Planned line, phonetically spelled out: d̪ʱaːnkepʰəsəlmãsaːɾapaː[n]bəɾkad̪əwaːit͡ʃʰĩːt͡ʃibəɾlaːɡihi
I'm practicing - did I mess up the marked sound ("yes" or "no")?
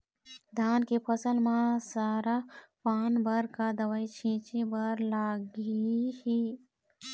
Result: no